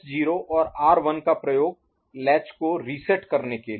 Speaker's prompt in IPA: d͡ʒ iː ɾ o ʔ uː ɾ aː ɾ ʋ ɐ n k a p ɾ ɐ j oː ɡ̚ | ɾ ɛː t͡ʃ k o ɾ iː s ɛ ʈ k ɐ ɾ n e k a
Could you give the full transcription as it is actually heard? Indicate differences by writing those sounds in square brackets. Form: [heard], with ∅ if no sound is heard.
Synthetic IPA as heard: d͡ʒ iː ɾ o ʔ [ɔː] ɾ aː ɾ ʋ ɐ n k a p ɾ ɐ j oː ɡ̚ | [l] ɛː t͡ʃ k o ɾ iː s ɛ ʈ k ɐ ɾ n e k [e]